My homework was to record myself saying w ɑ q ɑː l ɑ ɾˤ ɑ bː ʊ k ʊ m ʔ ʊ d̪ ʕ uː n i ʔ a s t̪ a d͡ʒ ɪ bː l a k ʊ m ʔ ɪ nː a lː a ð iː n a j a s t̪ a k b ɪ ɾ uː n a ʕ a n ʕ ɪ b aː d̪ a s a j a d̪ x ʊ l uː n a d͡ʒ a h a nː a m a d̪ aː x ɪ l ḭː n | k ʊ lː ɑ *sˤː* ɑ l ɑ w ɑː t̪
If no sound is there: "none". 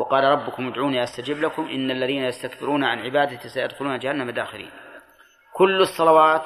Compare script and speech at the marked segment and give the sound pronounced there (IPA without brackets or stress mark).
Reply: sˤː